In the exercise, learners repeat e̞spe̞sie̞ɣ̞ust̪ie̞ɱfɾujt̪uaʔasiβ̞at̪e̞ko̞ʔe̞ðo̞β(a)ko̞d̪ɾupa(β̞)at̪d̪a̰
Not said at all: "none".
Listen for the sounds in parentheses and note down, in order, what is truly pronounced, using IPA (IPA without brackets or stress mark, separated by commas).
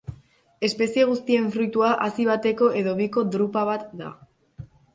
i, β̞